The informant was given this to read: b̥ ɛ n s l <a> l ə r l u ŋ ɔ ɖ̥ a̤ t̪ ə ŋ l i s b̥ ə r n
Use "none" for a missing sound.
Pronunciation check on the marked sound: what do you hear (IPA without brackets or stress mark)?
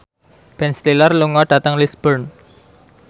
i